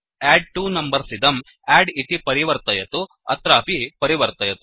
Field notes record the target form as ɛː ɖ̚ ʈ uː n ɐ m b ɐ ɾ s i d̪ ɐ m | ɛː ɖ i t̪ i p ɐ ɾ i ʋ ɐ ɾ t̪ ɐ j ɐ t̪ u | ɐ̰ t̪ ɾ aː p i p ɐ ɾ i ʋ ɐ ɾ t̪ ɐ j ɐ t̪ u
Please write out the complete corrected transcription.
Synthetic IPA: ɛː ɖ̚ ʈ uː n ɐ m b ɐ ɾ s i d̪ ɐ m | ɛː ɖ i t̪ i p ɐ ɾ i ʋ ɐ ɾ t̪ ɐ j ɐ t̪ u | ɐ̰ t̪ ɾ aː p i p ɐ ɾ i ʋ ɐ ɾ t̪ ɐ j ɐ t̪ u